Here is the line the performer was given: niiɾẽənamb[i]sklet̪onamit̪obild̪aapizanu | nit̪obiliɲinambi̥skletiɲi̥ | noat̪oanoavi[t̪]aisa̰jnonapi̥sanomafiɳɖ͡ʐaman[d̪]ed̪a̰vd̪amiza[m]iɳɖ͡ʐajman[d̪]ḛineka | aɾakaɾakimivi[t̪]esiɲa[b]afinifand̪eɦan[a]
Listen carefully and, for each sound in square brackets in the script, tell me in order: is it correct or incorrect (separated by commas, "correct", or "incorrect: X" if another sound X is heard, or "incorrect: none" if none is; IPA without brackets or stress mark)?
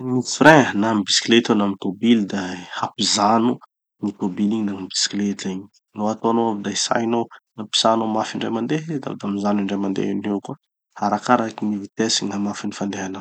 correct, incorrect: d̪, correct, incorrect: n, correct, correct, incorrect: m, correct